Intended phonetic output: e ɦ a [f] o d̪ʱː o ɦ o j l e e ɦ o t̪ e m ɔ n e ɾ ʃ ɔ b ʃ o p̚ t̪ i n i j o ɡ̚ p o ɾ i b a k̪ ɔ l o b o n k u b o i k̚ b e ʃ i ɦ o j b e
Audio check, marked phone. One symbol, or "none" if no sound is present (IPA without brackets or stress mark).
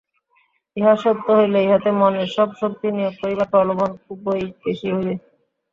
ʃ